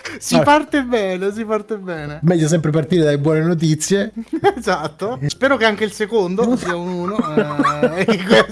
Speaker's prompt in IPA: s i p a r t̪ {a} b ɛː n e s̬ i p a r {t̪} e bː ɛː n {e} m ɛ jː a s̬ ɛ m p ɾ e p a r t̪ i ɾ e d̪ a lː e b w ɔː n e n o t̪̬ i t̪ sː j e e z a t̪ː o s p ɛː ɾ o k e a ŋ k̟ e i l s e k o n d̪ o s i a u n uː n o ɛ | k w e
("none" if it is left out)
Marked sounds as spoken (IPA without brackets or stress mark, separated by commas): e, t̪, e